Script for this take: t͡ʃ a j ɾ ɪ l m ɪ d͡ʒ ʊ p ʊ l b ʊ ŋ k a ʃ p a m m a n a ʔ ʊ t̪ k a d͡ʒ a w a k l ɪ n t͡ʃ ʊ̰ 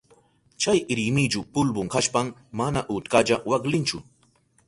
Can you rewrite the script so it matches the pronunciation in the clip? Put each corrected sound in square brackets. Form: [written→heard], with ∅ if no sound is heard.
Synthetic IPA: t͡ʃ a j ɾ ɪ [l→∅] m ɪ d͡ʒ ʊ p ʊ l b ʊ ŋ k a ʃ p a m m a n a ʔ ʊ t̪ k a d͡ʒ a w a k l ɪ n t͡ʃ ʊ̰